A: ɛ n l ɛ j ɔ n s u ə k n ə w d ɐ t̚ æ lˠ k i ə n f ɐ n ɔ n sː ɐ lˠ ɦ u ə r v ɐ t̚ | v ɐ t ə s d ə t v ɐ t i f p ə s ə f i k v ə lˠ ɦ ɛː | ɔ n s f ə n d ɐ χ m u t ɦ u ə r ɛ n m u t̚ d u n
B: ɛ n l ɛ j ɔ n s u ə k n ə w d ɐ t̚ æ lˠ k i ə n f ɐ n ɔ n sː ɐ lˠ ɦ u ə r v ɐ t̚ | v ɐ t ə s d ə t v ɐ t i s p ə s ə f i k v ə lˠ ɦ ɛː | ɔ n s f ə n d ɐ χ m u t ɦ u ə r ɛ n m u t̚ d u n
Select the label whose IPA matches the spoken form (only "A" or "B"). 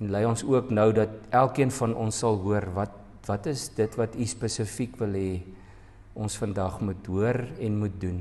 B